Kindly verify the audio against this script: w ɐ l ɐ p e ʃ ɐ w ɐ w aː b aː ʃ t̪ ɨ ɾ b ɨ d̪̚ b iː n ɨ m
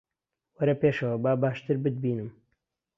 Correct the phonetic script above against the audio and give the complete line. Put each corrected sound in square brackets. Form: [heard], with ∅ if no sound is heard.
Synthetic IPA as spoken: w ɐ [ɾ] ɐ p e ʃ ɐ w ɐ [b] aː b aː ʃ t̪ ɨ ɾ b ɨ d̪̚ b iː n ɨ m